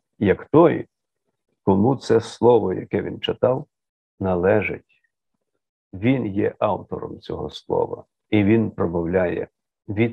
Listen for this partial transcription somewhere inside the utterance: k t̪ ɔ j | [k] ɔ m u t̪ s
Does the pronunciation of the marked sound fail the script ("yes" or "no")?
no